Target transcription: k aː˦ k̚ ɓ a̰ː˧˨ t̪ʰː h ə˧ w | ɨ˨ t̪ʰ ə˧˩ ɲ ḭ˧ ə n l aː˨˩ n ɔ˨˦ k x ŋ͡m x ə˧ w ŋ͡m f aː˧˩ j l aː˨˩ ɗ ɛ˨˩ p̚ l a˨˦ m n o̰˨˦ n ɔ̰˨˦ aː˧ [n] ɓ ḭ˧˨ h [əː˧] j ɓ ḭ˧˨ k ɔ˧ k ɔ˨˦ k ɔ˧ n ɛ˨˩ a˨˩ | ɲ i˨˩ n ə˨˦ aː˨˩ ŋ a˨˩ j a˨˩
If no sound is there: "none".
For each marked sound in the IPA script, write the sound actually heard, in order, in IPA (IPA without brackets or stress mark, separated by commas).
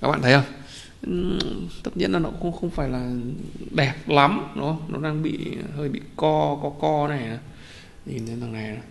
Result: ŋ, əː˧